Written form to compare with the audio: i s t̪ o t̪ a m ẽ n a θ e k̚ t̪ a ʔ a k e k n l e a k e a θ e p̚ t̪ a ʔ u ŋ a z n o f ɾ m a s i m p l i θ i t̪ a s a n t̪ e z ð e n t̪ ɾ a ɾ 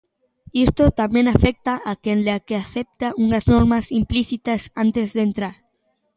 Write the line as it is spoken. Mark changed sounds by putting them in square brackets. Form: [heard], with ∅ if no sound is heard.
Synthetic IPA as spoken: i s t̪ o t̪ a m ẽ n a [f] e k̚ t̪ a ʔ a k e [∅] n l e a k e a θ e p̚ t̪ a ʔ u ŋ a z n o [∅] ɾ m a s i m p l i θ i t̪ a s a n t̪ e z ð e n t̪ ɾ a ɾ